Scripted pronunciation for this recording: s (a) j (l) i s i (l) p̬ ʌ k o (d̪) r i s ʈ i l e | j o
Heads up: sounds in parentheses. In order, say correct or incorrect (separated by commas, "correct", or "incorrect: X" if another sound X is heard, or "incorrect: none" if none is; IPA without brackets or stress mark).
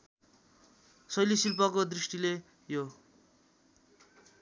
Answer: incorrect: ʌ, correct, correct, correct